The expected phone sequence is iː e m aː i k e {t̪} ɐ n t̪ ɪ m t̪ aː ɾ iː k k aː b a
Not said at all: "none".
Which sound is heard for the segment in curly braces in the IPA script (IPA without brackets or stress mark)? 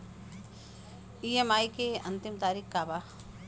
none